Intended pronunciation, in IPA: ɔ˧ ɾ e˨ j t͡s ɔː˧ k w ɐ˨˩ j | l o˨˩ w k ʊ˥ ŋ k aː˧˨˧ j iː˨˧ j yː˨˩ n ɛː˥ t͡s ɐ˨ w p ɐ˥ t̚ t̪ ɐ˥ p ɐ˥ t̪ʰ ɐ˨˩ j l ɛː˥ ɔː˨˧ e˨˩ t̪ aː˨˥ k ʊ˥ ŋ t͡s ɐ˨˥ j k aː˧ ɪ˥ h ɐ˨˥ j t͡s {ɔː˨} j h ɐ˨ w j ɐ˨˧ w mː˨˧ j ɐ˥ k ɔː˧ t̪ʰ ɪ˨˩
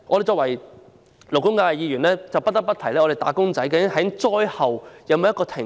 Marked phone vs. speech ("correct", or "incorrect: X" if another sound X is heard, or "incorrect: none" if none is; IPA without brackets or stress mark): incorrect: ɔː˥